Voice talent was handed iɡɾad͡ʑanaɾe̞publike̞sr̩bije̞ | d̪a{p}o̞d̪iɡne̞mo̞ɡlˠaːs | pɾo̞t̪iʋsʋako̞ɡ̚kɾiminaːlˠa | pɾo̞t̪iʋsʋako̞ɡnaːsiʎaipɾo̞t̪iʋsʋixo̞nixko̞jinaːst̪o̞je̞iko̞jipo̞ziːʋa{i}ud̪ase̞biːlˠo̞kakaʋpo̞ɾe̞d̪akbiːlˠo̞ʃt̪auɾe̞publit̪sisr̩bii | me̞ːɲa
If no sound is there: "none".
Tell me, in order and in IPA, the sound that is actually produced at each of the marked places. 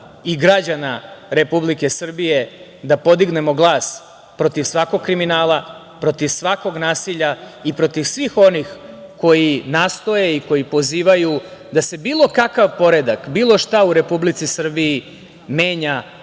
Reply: p, j

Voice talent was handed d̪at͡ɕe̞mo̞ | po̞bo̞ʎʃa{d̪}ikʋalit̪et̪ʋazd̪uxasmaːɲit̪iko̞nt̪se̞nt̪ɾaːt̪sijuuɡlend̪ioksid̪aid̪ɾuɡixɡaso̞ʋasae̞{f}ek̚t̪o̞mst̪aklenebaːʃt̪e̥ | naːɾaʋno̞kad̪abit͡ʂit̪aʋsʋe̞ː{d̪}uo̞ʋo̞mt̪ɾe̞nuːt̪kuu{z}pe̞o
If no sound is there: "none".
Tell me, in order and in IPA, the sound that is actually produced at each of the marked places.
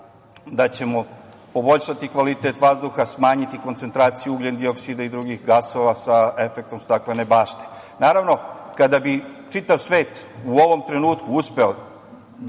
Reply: t̪, f, t̪, s

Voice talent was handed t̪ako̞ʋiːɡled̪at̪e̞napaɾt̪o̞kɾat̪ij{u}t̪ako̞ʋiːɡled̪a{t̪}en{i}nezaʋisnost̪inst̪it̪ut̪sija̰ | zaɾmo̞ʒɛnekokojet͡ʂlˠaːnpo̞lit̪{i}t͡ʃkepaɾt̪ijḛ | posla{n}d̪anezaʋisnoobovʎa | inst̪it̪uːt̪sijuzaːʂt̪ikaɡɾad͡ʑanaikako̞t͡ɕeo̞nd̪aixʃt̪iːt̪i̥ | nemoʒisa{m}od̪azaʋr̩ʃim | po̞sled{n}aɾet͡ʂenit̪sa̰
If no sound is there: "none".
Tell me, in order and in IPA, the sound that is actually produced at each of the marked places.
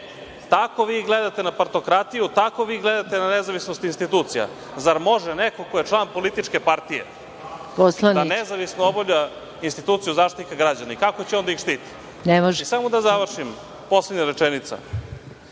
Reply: u, t̪, a, i, n, m, ɲ

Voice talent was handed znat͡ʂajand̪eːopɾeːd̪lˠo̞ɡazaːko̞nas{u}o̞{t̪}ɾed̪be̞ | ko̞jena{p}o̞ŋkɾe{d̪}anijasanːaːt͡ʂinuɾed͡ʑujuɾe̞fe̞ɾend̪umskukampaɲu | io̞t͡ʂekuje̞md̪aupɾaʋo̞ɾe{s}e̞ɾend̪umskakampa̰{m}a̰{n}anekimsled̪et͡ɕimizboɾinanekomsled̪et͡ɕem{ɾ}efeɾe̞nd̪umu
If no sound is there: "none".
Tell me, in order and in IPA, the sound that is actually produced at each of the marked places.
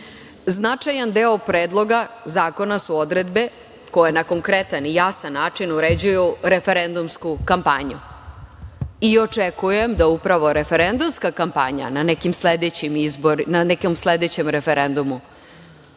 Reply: u, d̪, k, t̪, f, ɲ, n, ɾ

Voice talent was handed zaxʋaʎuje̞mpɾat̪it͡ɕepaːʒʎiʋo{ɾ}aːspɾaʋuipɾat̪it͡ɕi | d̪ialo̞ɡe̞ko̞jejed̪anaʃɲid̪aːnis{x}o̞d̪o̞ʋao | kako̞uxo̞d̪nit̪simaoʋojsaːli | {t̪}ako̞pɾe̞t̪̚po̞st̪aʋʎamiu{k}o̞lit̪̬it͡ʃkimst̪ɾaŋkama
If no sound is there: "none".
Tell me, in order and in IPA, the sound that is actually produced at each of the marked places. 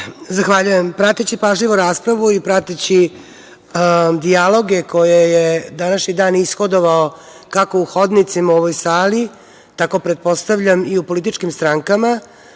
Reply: ɾ, x, t̪, p

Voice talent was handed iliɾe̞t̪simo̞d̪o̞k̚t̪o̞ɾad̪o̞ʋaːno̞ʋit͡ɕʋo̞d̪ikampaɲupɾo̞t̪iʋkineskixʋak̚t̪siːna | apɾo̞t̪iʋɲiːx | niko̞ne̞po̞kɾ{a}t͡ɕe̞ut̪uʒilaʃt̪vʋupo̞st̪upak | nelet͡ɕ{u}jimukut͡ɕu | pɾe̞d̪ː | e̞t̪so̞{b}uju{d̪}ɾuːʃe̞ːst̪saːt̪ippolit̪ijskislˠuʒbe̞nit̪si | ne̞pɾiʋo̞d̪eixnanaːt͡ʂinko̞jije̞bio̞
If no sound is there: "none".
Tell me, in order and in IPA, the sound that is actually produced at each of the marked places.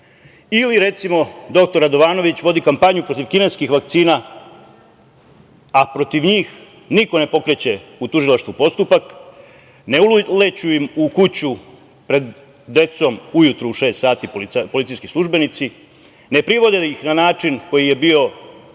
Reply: e, u, m, t̪

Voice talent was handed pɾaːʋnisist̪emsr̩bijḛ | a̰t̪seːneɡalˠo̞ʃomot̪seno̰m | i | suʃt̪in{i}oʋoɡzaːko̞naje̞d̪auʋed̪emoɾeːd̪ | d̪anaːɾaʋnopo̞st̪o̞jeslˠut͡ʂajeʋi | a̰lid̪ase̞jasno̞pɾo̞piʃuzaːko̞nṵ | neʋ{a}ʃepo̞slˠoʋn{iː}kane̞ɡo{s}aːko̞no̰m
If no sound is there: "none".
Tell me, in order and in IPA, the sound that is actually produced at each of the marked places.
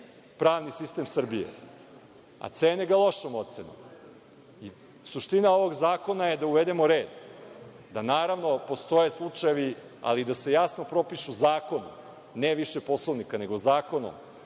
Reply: a, i, i, z

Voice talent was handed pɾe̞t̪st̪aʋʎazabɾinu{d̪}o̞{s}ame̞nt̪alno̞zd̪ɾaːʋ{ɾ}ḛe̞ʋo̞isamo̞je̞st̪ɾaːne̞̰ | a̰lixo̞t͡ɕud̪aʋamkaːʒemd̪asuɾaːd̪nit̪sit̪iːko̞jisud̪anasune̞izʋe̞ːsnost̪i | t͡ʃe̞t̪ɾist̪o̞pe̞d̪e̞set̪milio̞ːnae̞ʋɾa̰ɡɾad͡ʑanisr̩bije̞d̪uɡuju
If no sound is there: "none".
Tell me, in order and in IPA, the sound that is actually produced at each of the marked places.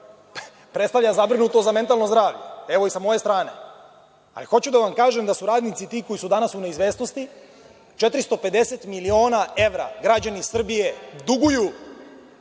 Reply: t̪, z, ʎ

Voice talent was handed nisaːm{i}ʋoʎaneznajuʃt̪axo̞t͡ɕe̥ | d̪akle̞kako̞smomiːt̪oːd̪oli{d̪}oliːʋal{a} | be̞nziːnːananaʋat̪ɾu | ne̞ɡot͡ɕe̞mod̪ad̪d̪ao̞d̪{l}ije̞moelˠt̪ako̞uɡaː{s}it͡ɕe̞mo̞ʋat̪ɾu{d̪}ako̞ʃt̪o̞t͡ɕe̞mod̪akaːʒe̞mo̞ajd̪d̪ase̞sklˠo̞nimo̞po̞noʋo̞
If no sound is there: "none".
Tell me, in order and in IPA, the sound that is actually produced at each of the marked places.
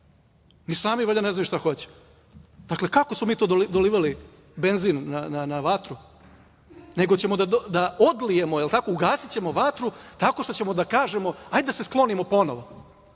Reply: i, d̪, i, l, s, t̪

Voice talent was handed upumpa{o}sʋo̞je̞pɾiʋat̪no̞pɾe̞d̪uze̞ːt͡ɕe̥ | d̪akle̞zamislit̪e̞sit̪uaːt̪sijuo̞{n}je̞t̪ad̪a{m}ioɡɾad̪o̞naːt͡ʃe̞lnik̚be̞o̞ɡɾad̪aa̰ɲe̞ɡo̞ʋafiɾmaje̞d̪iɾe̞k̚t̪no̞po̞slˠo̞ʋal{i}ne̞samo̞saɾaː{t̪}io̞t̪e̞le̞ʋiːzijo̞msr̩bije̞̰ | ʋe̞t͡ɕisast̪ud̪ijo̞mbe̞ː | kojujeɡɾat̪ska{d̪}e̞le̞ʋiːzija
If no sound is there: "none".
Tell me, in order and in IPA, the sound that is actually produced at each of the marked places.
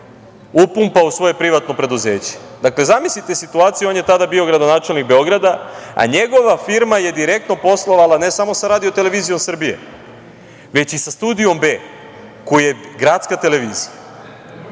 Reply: u, n, b, a, d̪, t̪

